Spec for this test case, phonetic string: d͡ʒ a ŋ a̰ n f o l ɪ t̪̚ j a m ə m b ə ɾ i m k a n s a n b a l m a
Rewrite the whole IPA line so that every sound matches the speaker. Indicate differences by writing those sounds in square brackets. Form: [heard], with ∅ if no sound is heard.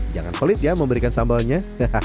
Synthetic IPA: d͡ʒ a ŋ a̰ n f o l ɪ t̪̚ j a m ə m b ə ɾ i [∅] k a n s a [m] b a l [ɲ] a